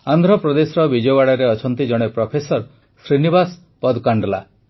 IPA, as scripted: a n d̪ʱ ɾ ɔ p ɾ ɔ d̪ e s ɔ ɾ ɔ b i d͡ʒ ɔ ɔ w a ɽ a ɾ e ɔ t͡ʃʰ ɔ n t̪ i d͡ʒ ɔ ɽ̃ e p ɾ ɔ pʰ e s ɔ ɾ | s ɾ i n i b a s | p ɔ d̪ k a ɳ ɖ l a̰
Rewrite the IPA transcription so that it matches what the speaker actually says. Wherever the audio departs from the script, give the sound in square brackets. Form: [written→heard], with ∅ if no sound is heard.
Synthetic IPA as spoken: a n d̪ʱ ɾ ɔ p ɾ ɔ d̪ e s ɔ ɾ ɔ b i d͡ʒ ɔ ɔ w a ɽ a ɾ e ɔ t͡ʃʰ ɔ n t̪ i d͡ʒ ɔ ɽ̃ e p ɾ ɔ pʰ e s ɔ ɾ | s ɾ i n i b a s | p ɔ d̪ k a ɳ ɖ l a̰